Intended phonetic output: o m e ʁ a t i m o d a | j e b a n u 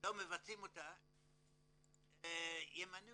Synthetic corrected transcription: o m e v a t͡s i m o t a | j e m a n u